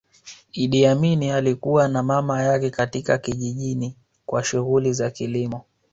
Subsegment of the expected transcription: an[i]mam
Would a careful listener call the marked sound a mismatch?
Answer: yes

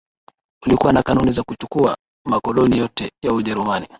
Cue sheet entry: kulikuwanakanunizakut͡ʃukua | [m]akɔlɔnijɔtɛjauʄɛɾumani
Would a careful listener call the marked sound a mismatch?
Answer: no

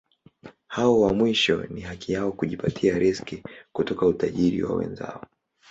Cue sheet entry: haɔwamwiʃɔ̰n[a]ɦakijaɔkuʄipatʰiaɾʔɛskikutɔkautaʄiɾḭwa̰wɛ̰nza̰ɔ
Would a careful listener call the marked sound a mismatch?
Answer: yes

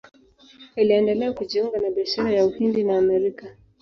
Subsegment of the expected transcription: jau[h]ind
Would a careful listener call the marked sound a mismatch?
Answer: no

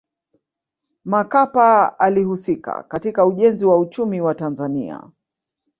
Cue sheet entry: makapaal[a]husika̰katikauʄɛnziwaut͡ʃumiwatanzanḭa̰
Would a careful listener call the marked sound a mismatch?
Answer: yes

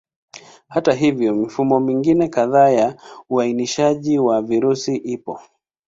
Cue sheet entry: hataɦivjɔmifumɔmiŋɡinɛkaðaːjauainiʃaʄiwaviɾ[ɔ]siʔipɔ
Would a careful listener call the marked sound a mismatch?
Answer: yes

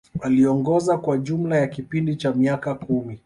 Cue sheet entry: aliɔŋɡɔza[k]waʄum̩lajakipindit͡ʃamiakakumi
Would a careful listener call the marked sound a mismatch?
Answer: no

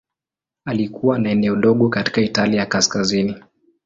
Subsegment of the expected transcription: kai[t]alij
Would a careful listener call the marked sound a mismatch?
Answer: no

